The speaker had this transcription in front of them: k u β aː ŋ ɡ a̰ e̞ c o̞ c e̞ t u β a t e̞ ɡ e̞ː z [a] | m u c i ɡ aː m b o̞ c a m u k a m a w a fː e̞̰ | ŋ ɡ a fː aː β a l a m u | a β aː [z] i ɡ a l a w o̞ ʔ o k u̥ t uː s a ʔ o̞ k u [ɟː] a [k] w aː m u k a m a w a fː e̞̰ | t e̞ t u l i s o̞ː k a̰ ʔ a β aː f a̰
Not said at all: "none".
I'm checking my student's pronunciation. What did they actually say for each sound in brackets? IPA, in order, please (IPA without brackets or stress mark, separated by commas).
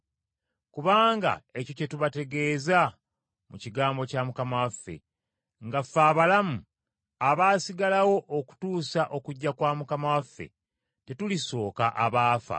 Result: a, s, ɟː, k